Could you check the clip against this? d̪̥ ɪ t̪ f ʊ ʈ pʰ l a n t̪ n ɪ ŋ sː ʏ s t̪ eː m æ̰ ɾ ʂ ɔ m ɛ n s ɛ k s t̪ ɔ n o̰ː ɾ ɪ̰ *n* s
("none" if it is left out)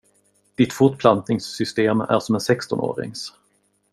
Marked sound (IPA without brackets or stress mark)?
ŋ